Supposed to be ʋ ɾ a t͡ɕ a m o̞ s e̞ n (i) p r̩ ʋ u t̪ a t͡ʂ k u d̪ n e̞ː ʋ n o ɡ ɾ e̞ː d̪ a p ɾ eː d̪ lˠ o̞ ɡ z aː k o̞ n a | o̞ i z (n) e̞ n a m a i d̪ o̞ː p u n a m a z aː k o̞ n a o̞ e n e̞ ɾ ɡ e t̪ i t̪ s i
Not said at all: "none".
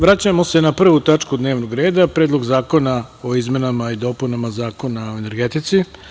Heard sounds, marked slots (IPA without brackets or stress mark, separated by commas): a, m